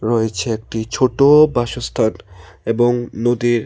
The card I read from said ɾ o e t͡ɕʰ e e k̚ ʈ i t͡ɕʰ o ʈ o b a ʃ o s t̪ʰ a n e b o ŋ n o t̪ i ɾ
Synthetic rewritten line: ɾ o e t͡ɕʰ e e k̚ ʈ i t͡ɕʰ o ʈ o b a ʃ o s t̪ʰ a n e b o ŋ n o d̪ i ɾ